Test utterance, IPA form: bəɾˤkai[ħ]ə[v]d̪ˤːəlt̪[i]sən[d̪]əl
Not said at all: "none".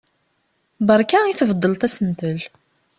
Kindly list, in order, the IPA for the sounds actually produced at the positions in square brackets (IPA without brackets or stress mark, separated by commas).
θ, v, æ, t̪